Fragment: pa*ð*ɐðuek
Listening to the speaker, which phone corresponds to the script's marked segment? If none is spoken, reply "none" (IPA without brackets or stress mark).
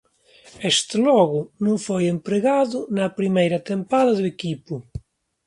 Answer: ð